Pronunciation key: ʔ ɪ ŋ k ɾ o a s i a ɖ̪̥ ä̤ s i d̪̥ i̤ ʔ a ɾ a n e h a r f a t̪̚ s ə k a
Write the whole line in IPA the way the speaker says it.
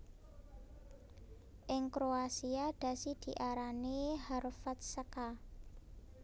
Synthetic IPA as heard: ʔ ɪ ŋ k ɾ o a s i a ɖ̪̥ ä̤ s i d̪̥ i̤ ʔ a ɾ a n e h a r f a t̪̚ s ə k a